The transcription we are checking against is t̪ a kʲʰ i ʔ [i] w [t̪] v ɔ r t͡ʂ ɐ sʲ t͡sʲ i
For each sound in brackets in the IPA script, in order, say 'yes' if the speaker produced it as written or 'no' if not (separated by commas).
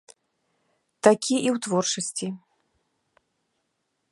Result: yes, yes